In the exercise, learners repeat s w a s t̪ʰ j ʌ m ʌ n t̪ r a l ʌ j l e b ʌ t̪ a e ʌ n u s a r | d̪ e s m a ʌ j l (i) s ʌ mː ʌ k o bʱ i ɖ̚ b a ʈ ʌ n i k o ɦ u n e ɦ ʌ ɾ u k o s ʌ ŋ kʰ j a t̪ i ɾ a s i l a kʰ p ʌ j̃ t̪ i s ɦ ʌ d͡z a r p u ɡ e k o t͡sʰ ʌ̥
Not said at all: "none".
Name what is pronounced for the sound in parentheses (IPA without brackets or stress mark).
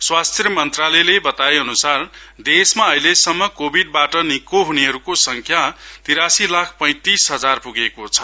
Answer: e